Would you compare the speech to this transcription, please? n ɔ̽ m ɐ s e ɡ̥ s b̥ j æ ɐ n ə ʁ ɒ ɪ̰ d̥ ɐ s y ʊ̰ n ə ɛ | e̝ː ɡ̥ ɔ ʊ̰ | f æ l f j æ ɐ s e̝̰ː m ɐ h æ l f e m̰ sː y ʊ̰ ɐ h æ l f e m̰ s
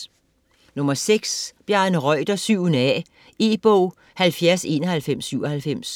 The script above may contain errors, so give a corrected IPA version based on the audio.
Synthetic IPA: n ɔ̽ m ɐ s e ɡ̥ s b̥ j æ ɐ n ə ʁ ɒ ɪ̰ d̥ ɐ s y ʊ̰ n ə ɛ | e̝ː b̥ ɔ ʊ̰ | h æ l f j æ ɐ s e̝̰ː n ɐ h æ l f e m̰ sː y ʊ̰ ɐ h æ l f e m̰ s

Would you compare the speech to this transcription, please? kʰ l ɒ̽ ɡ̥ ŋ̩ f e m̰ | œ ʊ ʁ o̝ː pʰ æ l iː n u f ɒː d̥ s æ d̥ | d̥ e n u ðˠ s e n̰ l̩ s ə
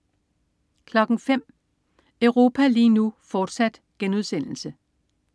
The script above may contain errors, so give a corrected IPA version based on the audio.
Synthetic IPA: kʰ l ɒ̽ ɡ̥ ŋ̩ f e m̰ | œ ʊ ʁ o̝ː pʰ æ l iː n u f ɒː d̥ s æ d̥ | ɡ̥ e n u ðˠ s e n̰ l̩ s ə

